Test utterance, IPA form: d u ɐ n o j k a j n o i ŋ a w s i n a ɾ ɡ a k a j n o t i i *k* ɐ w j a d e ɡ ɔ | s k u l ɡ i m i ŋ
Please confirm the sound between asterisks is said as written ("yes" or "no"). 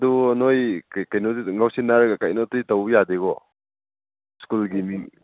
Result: no